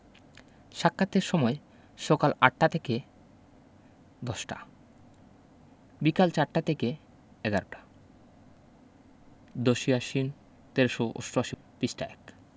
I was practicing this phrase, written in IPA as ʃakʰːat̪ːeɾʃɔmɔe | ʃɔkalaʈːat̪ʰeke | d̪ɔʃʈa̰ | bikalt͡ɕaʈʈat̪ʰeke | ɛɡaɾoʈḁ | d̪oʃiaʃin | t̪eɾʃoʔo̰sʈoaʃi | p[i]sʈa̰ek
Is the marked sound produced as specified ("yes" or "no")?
yes